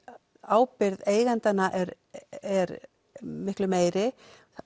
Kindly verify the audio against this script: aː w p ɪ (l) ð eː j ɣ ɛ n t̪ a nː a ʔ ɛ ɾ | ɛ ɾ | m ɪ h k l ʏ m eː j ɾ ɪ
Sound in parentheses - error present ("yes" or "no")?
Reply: yes